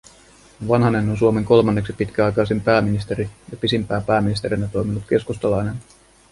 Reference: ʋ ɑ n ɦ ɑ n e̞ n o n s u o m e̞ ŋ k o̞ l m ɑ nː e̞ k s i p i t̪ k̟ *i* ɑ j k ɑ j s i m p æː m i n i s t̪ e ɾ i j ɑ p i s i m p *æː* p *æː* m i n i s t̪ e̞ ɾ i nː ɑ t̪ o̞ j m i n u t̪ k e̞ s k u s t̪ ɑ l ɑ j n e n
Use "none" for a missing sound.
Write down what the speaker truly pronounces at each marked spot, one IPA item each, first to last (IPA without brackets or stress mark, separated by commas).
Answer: æ, æː, æː